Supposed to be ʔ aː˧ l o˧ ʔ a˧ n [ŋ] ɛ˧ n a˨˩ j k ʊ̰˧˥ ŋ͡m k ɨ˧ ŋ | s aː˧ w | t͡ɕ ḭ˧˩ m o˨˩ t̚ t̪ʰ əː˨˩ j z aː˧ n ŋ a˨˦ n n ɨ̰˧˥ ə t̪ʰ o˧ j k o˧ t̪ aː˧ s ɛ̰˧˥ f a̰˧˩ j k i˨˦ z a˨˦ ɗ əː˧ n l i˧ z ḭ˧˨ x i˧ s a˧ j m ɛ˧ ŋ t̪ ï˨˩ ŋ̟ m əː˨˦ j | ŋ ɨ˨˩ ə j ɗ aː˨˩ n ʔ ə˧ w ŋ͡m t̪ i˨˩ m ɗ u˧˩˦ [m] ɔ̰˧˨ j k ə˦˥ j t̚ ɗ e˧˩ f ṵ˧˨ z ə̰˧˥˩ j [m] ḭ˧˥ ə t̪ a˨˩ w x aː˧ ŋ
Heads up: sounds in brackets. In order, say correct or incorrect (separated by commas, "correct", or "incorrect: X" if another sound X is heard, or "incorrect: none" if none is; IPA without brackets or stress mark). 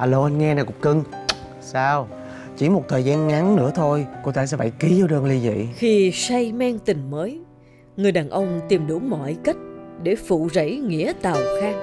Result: correct, correct, incorrect: ŋ